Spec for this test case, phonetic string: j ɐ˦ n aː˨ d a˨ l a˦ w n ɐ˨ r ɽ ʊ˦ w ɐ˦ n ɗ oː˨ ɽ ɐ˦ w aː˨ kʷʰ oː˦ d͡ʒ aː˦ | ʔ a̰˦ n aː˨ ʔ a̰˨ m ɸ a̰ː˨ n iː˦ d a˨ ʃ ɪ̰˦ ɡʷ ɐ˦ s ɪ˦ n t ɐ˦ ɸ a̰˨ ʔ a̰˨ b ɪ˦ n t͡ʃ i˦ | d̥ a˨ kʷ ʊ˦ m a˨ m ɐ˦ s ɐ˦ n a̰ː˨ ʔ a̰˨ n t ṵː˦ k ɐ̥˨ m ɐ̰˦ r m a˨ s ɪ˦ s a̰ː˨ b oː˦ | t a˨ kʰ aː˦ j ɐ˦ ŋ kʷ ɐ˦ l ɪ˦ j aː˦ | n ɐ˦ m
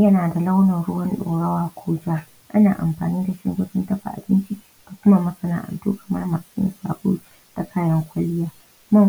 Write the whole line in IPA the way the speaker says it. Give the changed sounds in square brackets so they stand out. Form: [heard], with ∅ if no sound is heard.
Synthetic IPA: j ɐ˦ n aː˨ d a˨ l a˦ w n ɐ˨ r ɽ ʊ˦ w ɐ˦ n ɗ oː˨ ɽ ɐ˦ w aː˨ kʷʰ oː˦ d͡ʒ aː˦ | ʔ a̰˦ n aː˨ ʔ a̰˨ m ɸ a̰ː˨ n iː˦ d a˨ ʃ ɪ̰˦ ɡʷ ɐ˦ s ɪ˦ n t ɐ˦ ɸ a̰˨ ʔ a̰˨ b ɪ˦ n t͡ʃ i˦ | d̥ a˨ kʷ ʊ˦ m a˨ m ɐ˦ s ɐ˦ n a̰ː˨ ʔ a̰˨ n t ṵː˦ k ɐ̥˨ m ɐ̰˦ r m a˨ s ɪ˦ s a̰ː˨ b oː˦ | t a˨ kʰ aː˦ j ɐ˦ ŋ kʷ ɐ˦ l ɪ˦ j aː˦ | [m] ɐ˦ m

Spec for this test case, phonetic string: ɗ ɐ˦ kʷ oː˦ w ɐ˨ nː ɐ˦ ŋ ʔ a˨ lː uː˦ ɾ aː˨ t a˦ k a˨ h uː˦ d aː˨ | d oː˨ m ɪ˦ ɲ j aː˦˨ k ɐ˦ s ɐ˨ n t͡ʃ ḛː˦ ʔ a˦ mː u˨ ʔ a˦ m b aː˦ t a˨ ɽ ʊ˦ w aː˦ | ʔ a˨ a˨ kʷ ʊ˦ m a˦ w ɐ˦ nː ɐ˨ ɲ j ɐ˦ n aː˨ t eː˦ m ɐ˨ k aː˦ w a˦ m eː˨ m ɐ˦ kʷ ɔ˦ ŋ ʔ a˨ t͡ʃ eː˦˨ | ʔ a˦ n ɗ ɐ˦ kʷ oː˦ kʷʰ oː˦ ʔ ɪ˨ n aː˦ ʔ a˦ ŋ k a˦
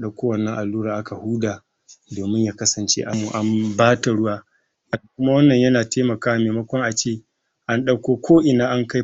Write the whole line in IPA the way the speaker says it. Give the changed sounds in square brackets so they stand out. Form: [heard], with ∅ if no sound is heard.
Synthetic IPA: ɗ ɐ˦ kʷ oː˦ w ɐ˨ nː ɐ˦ ŋ ʔ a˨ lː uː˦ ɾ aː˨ [ʔ] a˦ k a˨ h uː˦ d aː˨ | d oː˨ m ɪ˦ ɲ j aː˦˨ k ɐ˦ s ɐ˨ n t͡ʃ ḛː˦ ʔ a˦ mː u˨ ʔ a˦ m b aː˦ t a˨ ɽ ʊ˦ w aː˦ | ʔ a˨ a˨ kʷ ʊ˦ m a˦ w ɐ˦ nː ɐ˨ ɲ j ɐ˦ n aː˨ t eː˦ m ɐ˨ k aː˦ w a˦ m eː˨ m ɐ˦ kʷ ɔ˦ ŋ ʔ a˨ t͡ʃ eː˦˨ | ʔ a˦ n ɗ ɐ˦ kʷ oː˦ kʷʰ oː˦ ʔ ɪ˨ n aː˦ ʔ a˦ ŋ k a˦

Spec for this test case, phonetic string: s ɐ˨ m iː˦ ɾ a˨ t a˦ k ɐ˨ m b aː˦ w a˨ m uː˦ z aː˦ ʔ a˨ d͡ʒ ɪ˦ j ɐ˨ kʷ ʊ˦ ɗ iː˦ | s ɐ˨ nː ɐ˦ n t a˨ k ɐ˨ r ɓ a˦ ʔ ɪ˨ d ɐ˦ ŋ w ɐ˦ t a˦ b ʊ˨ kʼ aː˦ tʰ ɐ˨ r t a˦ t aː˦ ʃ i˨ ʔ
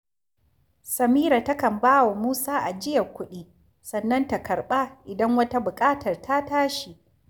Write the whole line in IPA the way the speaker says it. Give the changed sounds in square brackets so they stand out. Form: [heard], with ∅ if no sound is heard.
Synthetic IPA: s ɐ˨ m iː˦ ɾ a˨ t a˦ k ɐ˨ m b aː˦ w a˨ m uː˦ [s] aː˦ ʔ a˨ d͡ʒ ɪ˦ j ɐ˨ kʷ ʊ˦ ɗ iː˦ | s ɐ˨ nː ɐ˦ n t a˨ k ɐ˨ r ɓ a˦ ʔ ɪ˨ d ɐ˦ ŋ w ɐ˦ t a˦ b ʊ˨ kʼ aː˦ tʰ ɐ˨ r t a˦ t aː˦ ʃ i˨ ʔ

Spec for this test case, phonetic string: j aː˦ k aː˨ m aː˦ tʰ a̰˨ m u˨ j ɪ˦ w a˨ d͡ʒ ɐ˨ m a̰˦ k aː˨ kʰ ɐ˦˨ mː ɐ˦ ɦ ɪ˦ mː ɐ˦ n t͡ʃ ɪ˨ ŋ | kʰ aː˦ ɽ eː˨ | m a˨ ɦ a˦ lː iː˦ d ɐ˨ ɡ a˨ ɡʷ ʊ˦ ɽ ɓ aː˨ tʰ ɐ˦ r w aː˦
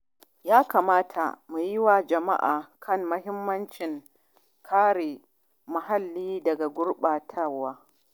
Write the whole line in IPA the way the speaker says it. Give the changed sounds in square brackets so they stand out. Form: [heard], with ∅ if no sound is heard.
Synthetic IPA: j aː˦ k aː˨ m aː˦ tʰ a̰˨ m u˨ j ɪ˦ w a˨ d͡ʒ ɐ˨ m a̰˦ [ʔ] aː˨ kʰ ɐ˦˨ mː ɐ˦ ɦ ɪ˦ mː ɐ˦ n t͡ʃ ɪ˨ ŋ | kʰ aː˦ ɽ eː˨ | m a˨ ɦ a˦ lː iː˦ d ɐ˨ ɡ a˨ ɡʷ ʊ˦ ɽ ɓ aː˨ tʰ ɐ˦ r w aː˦

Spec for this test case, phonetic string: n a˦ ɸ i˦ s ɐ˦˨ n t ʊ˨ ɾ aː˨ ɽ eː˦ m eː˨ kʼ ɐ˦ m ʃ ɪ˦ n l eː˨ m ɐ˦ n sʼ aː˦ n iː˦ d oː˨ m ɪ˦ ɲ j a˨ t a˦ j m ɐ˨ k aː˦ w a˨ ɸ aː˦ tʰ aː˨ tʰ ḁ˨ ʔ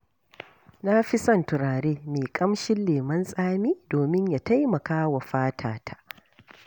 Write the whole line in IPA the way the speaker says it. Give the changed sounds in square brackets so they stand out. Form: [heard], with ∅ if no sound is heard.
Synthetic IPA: n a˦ ɸ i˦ s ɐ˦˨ n t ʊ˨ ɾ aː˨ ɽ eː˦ m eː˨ kʼ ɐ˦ m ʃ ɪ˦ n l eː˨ m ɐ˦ n sʼ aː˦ [m] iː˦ d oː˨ m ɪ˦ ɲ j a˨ t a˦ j m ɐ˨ k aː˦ w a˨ ɸ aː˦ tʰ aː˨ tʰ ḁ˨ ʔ

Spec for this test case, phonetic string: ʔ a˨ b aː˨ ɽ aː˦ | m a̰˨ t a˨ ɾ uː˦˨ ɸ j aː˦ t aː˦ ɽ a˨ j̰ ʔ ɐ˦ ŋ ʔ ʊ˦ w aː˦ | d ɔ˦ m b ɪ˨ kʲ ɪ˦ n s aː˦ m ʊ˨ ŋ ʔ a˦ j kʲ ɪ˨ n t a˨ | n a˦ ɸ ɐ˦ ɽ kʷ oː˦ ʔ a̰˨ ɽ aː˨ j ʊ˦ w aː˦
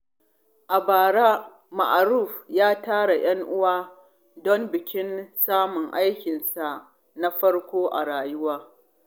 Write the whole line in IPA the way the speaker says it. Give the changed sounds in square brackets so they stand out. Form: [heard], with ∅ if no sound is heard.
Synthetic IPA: ʔ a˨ b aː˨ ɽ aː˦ | m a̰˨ [ʔ] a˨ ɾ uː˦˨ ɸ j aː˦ t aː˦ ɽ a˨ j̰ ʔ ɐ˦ ŋ ʔ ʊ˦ w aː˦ | d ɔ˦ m b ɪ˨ kʲ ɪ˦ n s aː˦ m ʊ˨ ŋ ʔ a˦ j kʲ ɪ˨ n [s] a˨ | n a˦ ɸ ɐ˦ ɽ kʷ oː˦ ʔ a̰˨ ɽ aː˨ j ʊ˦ w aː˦

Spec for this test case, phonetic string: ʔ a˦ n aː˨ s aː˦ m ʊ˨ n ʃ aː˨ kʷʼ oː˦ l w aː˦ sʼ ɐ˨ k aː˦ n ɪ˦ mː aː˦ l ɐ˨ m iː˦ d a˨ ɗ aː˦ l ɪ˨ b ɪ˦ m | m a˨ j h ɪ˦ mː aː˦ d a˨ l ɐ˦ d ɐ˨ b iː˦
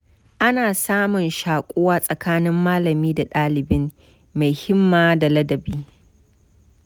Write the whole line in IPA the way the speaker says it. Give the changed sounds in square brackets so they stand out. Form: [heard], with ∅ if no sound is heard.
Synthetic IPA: ʔ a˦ n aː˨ s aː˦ m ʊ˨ n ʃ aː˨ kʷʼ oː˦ [∅] w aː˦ sʼ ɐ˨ k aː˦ n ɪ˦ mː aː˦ l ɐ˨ m iː˦ d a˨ ɗ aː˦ l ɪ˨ b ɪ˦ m | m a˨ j h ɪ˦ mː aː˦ d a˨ l ɐ˦ d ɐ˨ b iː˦

